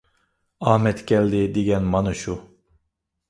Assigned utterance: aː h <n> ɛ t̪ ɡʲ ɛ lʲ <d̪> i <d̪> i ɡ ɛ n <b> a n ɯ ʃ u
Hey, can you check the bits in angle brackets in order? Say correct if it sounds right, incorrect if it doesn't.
incorrect, correct, correct, incorrect

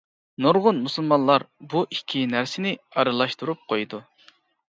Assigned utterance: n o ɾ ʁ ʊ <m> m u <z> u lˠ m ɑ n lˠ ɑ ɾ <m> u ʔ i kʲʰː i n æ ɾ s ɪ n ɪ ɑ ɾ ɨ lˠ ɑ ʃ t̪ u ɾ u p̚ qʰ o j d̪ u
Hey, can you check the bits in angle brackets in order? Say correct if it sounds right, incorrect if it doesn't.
incorrect, incorrect, incorrect

